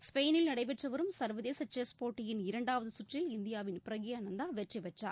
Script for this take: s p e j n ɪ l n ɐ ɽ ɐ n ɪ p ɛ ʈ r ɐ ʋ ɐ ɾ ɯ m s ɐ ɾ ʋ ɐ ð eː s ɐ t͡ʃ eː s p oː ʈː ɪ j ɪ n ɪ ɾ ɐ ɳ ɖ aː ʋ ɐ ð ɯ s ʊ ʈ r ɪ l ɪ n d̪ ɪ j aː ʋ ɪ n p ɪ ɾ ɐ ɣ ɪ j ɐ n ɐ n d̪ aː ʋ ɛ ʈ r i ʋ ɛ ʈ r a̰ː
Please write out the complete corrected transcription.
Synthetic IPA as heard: s p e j n ɪ l n ɐ ɽ ɐ ɪ p ɛ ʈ r ɐ ʋ ɐ ɾ ɯ m s ɐ ɾ ʋ ɐ ð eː s ɐ t͡ʃ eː s p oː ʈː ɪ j ɪ n ɪ ɾ ɐ ɳ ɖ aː ʋ ɐ ð ɯ s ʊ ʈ r ɪ l ɪ n d̪ ɪ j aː ʋ ɪ n p ɪ ɾ ɐ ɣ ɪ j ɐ n ɐ n d̪ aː ʋ ɛ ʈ r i ʋ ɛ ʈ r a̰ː